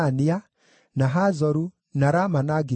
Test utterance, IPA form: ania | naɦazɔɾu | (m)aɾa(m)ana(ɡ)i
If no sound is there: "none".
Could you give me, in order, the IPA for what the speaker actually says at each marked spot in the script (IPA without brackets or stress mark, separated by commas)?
n, m, ɡ